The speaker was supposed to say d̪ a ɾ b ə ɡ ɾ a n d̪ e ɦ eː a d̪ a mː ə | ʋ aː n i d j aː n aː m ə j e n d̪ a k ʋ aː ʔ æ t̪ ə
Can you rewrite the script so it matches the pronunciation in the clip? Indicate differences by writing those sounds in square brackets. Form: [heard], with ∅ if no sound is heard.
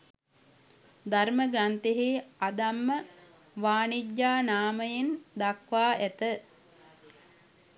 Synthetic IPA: d̪ a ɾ [m] ə ɡ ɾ a n [t̪] e ɦ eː a d̪ a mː ə | ʋ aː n i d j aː n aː m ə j e n d̪ a k ʋ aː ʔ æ t̪ ə